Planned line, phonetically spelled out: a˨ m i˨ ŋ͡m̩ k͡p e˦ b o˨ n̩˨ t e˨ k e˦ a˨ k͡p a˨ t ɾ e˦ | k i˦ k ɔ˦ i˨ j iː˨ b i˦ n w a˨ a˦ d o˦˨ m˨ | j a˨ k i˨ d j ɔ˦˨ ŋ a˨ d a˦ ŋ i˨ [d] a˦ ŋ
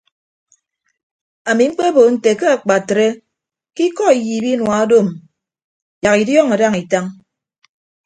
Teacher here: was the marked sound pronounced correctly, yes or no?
no